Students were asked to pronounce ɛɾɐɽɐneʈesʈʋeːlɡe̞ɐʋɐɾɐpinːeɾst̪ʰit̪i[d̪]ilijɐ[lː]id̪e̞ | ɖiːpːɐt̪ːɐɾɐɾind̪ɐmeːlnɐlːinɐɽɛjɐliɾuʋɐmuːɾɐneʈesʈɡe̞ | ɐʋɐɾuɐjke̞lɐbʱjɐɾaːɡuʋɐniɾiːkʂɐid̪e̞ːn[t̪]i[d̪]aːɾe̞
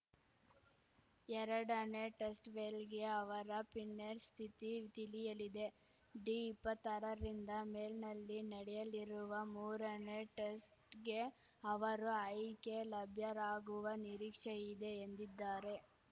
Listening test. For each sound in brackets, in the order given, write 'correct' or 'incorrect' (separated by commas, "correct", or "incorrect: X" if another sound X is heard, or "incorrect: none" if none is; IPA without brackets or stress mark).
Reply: incorrect: t̪, incorrect: l, incorrect: d̪, incorrect: d̪ː